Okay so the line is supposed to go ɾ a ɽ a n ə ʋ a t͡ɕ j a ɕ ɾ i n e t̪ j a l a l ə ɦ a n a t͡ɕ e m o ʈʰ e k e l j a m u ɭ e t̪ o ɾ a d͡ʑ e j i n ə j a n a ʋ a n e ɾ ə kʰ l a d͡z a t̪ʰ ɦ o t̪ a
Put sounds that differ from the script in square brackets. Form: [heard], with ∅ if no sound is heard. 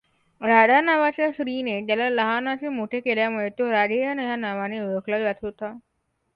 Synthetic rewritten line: ɾ a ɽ a n [a] ʋ a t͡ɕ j a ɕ ɾ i n e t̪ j a l a l ə ɦ a n a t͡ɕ e m o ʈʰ e k e l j a m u ɭ e t̪ o ɾ a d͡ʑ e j [a] n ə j a n a ʋ a n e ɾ ə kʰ l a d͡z a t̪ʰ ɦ o t̪ a